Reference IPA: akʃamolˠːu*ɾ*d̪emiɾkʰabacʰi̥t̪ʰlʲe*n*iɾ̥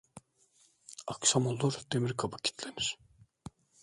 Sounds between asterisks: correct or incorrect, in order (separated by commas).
correct, correct